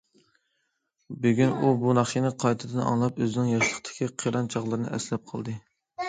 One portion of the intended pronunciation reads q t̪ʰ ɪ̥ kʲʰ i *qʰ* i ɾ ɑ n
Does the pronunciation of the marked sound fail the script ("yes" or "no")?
no